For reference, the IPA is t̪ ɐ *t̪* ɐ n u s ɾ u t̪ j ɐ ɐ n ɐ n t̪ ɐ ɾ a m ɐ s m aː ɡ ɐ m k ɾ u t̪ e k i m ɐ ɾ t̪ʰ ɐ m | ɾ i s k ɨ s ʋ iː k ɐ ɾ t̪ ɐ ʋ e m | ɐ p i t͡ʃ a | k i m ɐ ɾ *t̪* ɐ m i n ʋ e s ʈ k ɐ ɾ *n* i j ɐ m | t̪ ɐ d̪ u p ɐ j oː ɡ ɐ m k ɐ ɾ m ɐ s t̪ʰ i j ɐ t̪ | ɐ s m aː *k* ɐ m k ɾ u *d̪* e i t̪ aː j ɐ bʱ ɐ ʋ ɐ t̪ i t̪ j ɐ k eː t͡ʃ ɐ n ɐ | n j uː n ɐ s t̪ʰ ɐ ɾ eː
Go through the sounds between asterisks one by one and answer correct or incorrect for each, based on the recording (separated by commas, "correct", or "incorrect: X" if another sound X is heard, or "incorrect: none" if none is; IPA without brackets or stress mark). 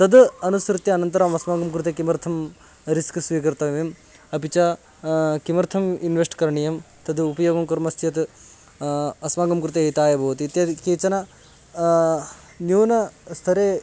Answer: incorrect: d̪, incorrect: t̪ʰ, incorrect: ɳ, incorrect: ɡ, incorrect: t̪